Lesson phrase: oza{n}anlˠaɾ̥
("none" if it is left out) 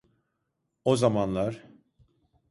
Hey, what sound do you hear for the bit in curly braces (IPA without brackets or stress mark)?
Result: m